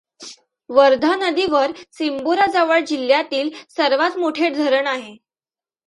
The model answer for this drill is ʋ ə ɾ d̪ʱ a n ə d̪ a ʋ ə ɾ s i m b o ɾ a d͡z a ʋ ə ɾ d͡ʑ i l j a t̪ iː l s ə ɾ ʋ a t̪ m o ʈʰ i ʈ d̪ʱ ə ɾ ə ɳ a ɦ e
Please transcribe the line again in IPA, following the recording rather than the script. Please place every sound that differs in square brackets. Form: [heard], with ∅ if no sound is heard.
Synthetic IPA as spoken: ʋ ə ɾ d̪ʱ a n ə d̪ [i] ʋ ə ɾ s i m b o ɾ a d͡z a ʋ ə [ɭ] d͡ʑ i l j a t̪ iː l s ə ɾ ʋ a t̪ m o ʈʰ [e] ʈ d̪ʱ ə ɾ ə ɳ a ɦ e